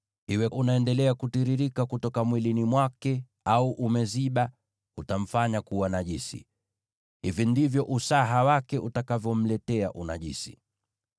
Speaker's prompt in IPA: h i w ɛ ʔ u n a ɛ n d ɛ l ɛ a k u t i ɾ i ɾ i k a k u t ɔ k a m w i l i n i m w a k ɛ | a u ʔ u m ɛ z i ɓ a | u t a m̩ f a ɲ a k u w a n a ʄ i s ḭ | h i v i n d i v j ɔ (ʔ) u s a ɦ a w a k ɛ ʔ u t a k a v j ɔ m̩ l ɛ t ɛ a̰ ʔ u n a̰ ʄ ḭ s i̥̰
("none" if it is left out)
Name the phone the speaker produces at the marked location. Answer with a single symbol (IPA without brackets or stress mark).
ʔ